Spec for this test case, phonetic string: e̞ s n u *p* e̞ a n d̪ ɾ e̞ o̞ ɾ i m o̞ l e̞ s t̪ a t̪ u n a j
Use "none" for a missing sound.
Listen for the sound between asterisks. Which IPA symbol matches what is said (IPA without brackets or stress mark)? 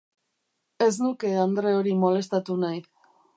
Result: k